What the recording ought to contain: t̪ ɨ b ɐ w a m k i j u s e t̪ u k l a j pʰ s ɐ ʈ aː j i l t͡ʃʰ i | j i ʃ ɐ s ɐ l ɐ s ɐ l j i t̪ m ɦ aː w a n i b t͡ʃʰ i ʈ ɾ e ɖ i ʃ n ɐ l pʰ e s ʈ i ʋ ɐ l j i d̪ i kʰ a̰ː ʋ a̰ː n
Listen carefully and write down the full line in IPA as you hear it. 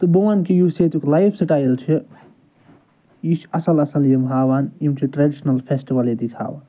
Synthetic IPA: t̪ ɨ b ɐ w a n k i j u s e t̪ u k l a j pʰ s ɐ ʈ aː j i l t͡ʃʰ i | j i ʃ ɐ s ɐ l ɐ s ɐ l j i m ɦ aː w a n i m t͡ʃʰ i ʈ ɾ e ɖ i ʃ n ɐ l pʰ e s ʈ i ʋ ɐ l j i d̪ i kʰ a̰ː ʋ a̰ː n

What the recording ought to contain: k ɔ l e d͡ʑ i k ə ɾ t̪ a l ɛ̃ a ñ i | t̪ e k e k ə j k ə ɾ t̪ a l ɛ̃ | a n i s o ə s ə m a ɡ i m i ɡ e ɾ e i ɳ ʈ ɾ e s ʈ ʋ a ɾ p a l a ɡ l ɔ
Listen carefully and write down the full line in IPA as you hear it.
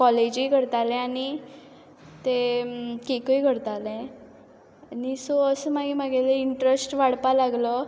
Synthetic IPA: k ɔ l e d͡ʑ i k ə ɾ t̪ a l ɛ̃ a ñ i | t̪ e k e k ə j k ə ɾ t̪ a l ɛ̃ | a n i s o ə s ə m a ɡ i m a ɡ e l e i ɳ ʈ ɾ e s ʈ ʋ a ɽ p a l a ɡ l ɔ

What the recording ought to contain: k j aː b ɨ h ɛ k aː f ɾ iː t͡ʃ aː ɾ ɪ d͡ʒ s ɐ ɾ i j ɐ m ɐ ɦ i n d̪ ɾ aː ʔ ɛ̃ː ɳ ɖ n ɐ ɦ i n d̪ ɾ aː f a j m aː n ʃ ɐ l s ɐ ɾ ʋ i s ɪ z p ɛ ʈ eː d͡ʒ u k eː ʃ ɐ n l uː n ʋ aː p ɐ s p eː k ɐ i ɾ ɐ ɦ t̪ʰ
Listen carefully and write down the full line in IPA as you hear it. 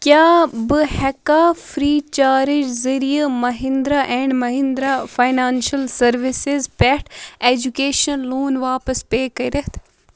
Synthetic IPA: k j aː b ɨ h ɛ k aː f ɾ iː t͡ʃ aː ɾ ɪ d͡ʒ z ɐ ɾ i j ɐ m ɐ ɦ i n d̪ ɾ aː ʔ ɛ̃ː ɳ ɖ m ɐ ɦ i n d̪ ɾ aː f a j n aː n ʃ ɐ l s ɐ ɾ ʋ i s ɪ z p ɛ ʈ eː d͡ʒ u k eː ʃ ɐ n l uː n ʋ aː p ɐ s p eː k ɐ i ɾ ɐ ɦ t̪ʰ

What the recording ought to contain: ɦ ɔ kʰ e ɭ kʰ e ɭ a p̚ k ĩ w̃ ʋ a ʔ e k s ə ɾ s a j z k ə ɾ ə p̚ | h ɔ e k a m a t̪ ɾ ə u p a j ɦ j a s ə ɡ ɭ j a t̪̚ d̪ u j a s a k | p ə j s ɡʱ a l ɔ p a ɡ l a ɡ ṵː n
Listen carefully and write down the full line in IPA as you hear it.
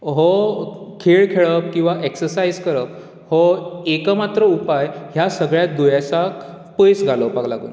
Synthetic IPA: ɦ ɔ kʰ e ɭ kʰ e ɭ ə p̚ k ĩ w̃ ʋ a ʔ e k s ə ɾ s a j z k ə ɾ ə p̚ | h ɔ e k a m a t̪ ɾ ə u p a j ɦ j a s ə ɡ ɭ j a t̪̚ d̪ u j a s a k | p ə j s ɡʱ a l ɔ p a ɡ l a ɡ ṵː n

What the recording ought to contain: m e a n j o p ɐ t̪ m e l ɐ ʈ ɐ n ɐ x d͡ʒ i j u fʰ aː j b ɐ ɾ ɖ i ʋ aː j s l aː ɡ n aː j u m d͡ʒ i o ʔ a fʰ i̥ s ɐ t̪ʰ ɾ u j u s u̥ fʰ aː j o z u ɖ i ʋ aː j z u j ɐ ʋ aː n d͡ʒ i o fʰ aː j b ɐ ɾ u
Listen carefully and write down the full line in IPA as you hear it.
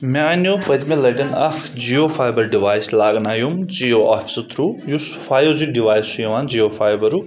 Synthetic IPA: m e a n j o p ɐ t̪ m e l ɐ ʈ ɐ n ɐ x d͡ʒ i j o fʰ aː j b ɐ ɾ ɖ i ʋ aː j s l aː ɡ n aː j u m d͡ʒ i o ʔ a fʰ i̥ s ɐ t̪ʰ ɾ u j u s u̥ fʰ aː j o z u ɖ i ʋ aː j s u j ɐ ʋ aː n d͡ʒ i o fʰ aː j b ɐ ɾ u

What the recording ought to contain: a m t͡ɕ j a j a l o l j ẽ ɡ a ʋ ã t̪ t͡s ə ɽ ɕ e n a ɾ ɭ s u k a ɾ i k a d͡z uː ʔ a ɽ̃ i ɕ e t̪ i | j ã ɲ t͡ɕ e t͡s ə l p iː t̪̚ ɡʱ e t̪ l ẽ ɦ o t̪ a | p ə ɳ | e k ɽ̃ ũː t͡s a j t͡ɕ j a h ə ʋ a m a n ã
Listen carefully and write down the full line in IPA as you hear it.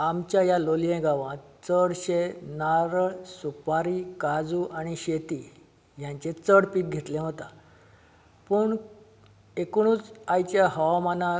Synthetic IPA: a m t͡ɕ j a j a l o l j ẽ ɡ a ʋ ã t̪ t͡s ə ɽ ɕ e n a ɾ ɭ s u p a ɾ i k a d͡z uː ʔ a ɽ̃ i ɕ e t̪ i | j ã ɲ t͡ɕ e t͡s ə ɽ p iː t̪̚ ɡʱ e t̪ l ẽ ɦ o t̪ a | p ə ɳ | e k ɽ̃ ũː t͡s a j t͡ɕ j a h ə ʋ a m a n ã

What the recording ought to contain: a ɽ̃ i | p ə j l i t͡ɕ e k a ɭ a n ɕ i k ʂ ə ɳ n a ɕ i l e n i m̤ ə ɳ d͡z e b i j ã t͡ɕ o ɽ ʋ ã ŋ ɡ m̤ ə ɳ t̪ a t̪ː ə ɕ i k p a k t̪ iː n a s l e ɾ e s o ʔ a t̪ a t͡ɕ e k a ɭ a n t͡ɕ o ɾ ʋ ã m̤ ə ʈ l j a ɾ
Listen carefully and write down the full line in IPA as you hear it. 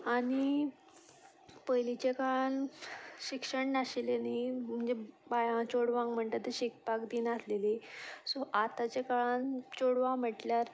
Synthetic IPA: a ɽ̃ i | p ə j l i t͡ɕ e k a ɭ a n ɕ i k ʂ ə ɳ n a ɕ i l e n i m̤ ə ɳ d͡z e b a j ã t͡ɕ o ɽ ʋ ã ŋ ɡ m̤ ə ɳ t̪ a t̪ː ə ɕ i k p a k d̪ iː n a s l e l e s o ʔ a t̪ a t͡ɕ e k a ɭ a n t͡ɕ o ɽ ʋ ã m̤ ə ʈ l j a ɾ

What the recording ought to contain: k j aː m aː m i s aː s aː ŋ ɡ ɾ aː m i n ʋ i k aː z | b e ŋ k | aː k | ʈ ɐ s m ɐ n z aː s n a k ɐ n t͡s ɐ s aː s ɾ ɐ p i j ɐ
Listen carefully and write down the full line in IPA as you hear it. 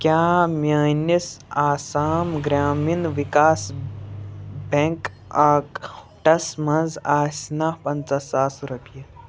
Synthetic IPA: k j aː m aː n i s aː s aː m ɡ ɾ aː m i n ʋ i k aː s | b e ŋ k | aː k | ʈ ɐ s m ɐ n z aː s n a p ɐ n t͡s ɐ s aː s ɾ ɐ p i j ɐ

